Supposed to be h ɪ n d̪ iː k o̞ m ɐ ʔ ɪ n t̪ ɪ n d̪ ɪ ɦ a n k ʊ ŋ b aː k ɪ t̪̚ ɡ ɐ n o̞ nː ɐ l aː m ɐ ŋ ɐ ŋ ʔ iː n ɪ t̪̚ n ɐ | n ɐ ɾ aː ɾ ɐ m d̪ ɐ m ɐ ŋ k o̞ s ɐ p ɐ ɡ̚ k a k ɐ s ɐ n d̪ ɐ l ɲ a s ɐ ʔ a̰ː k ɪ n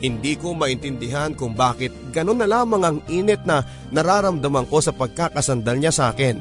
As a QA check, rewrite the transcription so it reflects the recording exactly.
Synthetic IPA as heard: h ɪ n d̪ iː k o̞ m ɐ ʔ ɪ n t̪ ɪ n d̪ ɪ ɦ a n k ʊ ŋ b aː k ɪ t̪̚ ɡ ɐ n o̞ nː ɐ l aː m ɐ ŋ ɐ ŋ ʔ iː n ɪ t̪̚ n ɐ | n ɐ ɾ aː ɾ ɐ m d̪ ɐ m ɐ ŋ k o̞ s ɐ p ɐ ɡ̚ k a k ɐ s ɐ n d̪ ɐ l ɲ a s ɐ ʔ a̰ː k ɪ n